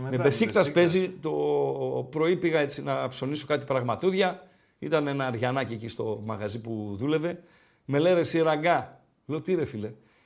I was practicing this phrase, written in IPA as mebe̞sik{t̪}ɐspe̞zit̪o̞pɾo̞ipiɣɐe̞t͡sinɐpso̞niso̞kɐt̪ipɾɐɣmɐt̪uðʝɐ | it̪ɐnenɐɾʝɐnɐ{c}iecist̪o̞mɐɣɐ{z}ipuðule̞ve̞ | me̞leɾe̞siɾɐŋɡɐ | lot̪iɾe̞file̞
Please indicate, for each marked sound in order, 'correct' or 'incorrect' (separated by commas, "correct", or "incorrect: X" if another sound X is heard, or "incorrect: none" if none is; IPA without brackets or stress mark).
correct, correct, correct